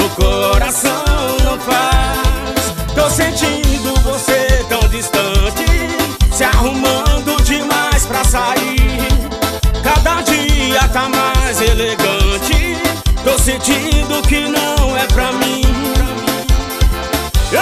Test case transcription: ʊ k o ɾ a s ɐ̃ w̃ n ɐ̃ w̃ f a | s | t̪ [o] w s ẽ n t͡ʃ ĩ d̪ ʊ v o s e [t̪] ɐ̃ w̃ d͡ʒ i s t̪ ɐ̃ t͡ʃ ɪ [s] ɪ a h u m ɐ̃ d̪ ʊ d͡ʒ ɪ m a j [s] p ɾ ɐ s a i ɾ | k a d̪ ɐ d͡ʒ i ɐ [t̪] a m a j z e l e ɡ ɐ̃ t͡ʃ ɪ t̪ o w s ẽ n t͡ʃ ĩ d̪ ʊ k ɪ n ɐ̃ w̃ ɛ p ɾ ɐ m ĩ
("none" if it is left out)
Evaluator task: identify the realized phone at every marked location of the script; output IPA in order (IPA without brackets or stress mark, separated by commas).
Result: o, t̪, s, s, t̪